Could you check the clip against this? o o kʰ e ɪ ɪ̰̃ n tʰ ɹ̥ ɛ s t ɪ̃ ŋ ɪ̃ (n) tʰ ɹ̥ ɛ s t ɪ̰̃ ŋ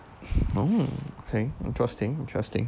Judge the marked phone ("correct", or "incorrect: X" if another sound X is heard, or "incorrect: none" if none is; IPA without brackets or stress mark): correct